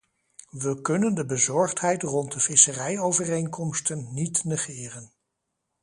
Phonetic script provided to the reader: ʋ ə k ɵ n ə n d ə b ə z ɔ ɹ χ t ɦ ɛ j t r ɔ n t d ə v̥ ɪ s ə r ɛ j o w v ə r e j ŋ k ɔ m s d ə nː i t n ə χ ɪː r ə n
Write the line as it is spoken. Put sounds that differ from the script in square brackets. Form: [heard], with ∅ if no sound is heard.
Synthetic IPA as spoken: ʋ ə k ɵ n ə n d ə b ə z ɔ ɹ χ t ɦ ɛ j t r ɔ n t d ə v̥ ɪ s ə r ɛ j o w v ə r e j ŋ k ɔ m s [t] ə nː i t n ə χ ɪː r ə n